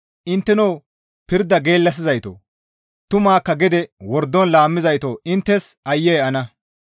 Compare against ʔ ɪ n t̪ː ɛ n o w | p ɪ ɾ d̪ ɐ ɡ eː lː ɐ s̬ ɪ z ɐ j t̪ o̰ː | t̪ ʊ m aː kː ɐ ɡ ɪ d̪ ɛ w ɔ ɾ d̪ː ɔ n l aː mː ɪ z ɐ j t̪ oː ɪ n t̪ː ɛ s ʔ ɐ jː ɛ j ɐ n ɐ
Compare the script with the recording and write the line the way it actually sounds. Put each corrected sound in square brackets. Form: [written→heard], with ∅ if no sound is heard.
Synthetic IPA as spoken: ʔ ɪ n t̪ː ɛ n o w | p ɪ ɾ d̪ ɐ ɡ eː lː ɐ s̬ ɪ z ɐ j t̪ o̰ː | t̪ ʊ m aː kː ɐ ɡ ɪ d̪ ɛ w ɔ ɾ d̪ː ɔ n l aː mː ɪ z ɐ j t̪ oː ɪ n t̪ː ɛ s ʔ ɐ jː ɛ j ɐ n ɐ